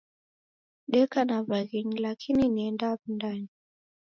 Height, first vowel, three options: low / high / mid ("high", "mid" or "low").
mid